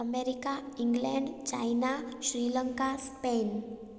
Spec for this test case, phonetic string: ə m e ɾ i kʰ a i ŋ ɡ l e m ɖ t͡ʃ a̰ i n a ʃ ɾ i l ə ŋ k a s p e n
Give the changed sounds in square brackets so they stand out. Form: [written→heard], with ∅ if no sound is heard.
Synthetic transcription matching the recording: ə m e ɾ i [kʰ→k] a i ŋ ɡ l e [m→ɳ] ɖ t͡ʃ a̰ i n a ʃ ɾ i l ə ŋ k a s p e n